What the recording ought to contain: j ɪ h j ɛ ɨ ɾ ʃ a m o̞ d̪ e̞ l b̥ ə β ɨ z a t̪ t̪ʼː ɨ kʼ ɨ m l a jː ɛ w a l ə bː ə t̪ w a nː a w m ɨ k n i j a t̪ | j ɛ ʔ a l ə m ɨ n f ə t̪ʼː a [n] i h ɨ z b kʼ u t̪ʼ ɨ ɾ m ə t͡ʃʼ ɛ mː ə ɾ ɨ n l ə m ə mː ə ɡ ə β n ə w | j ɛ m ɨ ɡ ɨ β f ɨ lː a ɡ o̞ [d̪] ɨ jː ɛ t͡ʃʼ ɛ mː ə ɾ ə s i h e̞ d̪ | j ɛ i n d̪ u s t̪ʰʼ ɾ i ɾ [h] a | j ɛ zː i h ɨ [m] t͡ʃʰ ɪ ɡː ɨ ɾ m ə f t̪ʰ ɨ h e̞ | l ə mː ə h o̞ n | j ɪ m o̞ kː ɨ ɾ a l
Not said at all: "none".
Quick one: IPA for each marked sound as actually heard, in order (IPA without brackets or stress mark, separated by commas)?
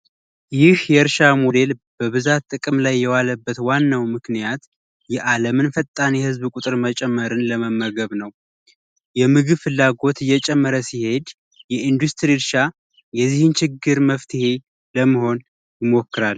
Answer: n, t̪, ʃ, n